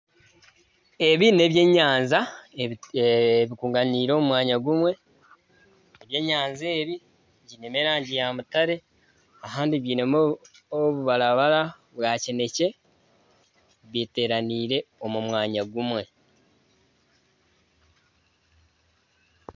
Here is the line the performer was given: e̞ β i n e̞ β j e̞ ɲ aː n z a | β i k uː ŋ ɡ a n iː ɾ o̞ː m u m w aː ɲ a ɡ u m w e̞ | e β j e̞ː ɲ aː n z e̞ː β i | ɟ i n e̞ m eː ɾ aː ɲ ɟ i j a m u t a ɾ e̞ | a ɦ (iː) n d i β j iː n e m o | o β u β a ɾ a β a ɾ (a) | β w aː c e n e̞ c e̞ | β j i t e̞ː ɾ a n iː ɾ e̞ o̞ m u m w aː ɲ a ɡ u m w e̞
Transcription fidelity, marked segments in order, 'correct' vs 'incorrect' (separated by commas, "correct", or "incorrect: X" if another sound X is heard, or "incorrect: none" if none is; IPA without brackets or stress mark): incorrect: aː, correct